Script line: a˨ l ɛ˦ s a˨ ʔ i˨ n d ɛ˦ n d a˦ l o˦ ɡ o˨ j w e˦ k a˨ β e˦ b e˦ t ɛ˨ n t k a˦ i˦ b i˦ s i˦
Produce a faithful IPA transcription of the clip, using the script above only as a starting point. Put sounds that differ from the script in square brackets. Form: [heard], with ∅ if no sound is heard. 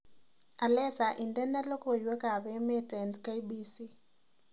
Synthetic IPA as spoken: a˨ l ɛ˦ s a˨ ʔ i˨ n d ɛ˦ n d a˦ l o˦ [k] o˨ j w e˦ k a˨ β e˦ [m] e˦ t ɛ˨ n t k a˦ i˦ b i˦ s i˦